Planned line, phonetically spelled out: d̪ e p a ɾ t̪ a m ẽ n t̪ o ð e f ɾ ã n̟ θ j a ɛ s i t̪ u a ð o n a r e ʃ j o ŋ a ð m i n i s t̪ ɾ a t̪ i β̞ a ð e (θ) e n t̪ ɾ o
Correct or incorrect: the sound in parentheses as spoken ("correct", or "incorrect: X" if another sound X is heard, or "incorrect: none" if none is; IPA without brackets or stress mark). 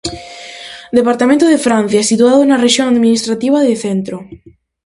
correct